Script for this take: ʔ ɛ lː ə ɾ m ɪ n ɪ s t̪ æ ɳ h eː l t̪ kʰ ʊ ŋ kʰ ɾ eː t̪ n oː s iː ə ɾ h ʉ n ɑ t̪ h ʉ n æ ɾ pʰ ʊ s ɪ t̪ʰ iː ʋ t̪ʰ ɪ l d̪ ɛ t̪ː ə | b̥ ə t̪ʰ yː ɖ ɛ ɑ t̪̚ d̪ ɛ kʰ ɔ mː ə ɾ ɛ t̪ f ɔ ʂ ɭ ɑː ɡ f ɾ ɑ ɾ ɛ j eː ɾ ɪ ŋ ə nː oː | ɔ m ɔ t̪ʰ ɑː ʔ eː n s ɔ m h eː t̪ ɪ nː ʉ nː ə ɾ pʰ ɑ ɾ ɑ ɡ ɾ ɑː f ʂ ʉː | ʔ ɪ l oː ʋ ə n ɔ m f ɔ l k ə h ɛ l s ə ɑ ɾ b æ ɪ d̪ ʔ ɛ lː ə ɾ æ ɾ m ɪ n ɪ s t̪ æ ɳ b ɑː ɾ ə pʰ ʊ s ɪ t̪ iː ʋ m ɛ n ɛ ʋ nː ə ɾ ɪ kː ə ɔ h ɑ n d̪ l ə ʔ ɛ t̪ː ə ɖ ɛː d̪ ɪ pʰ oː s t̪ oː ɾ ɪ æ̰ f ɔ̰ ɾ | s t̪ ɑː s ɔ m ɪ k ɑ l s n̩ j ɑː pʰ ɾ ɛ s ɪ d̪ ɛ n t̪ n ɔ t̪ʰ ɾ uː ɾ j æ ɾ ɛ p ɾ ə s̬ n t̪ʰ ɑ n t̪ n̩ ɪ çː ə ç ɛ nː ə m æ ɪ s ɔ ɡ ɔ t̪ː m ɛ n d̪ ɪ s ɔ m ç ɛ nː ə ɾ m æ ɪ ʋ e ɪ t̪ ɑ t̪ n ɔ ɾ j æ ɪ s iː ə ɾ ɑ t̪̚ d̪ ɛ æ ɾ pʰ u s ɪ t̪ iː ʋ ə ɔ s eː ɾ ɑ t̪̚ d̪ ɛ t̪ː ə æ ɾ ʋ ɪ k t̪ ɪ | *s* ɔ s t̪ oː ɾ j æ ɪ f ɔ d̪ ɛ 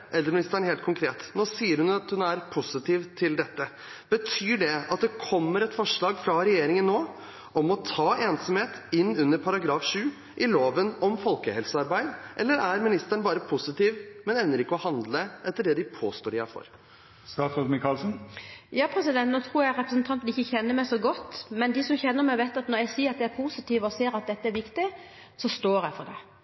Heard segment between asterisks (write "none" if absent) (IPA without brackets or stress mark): s